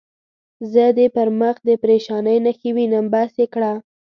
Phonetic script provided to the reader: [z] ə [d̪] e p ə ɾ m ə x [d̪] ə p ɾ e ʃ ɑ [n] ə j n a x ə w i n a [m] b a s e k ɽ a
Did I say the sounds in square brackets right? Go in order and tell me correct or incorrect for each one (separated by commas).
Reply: correct, correct, correct, correct, correct